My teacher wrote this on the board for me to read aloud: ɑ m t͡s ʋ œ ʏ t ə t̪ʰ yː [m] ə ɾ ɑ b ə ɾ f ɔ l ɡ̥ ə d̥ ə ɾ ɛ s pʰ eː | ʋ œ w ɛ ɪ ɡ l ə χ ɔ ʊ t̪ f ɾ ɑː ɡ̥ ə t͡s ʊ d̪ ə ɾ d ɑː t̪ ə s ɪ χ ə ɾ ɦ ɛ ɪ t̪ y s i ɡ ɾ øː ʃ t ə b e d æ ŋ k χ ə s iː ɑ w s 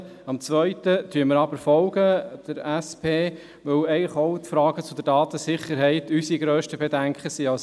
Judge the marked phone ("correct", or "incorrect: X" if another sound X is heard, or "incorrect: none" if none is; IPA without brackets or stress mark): correct